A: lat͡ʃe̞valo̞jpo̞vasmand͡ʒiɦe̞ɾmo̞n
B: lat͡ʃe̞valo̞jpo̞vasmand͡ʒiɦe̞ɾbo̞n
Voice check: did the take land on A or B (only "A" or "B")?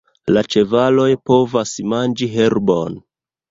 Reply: B